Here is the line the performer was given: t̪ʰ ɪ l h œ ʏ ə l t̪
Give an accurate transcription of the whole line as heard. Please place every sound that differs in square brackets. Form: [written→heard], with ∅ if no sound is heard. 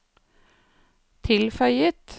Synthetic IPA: t̪ʰ ɪ l [h→f] œ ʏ ə [l→∅] t̪